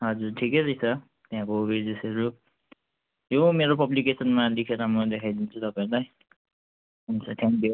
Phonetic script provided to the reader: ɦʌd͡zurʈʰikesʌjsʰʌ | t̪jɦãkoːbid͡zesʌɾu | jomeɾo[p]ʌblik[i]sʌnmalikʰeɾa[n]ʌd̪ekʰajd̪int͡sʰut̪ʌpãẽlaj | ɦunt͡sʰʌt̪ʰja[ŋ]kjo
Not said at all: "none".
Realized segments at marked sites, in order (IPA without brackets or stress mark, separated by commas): p, e, m, ŋ